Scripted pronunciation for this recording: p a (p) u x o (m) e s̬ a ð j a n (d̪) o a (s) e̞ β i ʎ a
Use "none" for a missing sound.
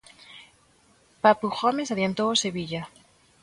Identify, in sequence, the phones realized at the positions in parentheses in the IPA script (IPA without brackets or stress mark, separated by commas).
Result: p, m, t̪, s